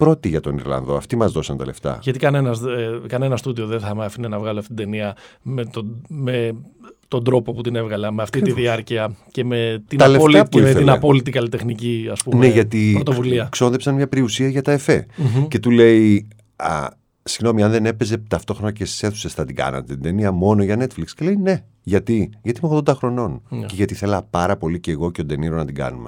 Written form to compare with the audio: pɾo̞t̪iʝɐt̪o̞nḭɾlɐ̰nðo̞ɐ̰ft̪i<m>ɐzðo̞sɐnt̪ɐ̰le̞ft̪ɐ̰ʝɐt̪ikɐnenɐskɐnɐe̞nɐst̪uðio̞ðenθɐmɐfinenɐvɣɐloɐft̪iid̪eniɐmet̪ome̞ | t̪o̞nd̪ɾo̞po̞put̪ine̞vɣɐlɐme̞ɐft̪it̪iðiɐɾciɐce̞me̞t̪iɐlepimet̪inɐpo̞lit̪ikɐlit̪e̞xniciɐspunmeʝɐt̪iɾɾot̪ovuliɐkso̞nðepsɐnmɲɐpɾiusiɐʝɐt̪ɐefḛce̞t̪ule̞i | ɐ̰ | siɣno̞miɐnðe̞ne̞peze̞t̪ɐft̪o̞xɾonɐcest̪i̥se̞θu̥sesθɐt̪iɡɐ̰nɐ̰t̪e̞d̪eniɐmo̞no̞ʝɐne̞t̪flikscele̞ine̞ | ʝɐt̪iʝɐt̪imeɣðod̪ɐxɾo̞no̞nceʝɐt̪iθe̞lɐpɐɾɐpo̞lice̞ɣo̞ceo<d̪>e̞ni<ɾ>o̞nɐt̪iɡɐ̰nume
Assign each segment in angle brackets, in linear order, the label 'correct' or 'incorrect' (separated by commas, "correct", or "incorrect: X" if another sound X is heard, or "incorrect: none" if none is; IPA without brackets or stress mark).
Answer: correct, correct, correct